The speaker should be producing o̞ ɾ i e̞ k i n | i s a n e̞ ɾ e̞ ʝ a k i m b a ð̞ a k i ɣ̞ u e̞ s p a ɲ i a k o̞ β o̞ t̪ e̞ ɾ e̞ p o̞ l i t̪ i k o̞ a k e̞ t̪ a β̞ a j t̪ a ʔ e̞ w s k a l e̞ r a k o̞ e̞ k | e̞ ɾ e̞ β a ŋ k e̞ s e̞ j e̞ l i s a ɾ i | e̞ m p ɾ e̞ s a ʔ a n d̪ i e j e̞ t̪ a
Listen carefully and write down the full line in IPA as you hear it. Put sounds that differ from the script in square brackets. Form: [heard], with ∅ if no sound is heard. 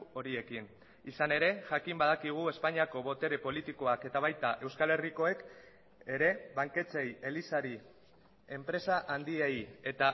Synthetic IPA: o̞ ɾ i e̞ k i n | i s a n e̞ ɾ e̞ ʝ a k i m b a ð̞ a k i ɣ̞ u e̞ s p a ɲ i a k o̞ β o̞ t̪ e̞ ɾ e̞ p o̞ l i t̪ i k o̞ a k e̞ t̪ a β̞ a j t̪ a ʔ e̞ w s k a l e̞ r [i] k o̞ e̞ k | e̞ ɾ e̞ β a ŋ k e̞ [t͡s] e̞ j e̞ l i s a ɾ i | e̞ m p ɾ e̞ s a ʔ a n d̪ i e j e̞ t̪ a